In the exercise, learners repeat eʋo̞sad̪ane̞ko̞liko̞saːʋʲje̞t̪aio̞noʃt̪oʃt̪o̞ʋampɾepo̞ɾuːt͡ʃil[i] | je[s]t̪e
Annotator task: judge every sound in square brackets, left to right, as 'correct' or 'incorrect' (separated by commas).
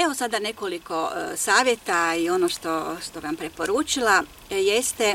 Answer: incorrect, correct